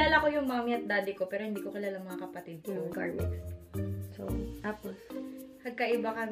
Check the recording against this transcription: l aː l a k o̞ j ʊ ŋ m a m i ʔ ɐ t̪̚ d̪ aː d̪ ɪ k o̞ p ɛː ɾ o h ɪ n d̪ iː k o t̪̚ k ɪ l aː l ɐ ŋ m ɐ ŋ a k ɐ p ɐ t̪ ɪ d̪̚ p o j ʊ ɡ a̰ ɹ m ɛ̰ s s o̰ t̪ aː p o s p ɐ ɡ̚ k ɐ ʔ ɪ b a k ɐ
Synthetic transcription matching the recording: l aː l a k o̞ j ʊ ŋ m a m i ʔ ɐ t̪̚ d̪ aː d̪ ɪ k o̞ p ɛː ɾ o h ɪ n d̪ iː k o k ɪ l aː l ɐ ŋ m ɐ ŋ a k ɐ p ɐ t̪ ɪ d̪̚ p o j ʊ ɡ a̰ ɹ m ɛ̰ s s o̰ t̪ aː p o s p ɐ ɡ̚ k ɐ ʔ ɪ b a k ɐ